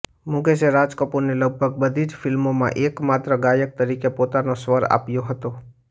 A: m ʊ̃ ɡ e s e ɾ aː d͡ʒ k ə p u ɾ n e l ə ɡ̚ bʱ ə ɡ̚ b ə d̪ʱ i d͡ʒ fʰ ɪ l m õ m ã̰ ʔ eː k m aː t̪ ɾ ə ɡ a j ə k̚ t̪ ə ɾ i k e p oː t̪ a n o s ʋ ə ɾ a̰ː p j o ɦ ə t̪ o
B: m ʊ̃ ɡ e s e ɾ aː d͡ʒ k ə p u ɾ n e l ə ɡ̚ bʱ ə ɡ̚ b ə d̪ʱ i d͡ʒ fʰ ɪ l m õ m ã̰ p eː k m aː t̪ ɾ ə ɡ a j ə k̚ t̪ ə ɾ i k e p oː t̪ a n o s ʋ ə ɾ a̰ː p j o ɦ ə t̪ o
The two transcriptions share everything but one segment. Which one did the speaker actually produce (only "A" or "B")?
A